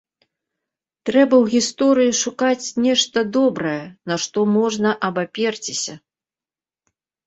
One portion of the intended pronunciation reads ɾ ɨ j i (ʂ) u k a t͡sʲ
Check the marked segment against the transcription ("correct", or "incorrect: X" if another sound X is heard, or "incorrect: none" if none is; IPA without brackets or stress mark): correct